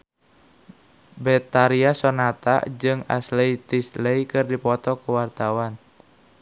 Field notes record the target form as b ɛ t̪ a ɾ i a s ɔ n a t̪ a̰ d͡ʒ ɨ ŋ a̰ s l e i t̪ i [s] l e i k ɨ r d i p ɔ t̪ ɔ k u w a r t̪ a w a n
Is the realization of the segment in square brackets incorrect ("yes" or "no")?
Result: no